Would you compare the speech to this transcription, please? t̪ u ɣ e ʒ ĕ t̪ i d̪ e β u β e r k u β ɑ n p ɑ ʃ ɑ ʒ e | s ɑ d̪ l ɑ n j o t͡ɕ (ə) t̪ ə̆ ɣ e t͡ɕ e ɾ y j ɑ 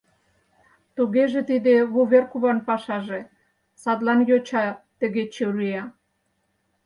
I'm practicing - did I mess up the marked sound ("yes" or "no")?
yes